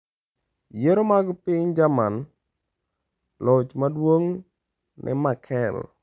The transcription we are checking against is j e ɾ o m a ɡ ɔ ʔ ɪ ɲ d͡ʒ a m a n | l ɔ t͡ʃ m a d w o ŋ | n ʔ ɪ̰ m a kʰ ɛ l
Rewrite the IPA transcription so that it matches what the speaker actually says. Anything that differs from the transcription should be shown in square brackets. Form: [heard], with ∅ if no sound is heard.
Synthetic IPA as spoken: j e ɾ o m a ɡ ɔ [p] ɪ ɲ d͡ʒ a m a n | l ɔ t͡ʃ m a d w o ŋ | n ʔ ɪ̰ m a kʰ ɛ l

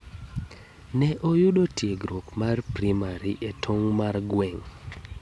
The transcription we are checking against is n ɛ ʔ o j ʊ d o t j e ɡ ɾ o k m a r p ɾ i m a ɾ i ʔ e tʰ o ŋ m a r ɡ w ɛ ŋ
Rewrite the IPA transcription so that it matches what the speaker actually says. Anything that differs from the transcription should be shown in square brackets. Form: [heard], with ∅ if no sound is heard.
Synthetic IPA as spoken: n ɛ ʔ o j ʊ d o t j e ɡ ɾ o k m a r p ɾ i m a ɾ i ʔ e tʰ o ŋ m a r ɡ w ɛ ŋ

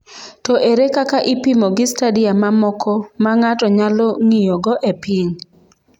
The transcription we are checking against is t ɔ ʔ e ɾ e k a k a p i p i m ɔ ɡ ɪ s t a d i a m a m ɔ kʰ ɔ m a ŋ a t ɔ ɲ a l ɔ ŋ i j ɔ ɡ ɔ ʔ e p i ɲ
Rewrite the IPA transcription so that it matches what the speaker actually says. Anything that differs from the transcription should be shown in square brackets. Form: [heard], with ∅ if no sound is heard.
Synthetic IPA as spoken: t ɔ ʔ e ɾ e k a k a [ʔ] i p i m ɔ ɡ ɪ s t a d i a m a m ɔ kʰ ɔ m a ŋ a t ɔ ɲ a l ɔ ŋ i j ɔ ɡ ɔ ʔ e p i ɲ

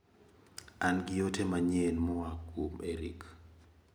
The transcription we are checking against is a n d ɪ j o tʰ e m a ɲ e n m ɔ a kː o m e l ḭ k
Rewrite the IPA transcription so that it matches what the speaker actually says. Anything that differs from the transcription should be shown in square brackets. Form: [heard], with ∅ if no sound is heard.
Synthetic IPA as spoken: a n [ɡ] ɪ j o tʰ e m a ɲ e n m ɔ a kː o m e [ɾ] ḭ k

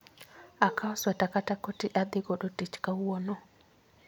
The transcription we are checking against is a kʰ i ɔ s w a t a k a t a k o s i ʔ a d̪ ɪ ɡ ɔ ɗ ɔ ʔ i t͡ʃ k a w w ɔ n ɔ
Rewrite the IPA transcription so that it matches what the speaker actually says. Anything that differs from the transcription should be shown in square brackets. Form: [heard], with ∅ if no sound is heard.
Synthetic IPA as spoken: a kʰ [a] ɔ s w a t a k a t a k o [t] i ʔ a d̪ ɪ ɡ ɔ ɗ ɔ [t] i t͡ʃ k a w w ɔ n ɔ

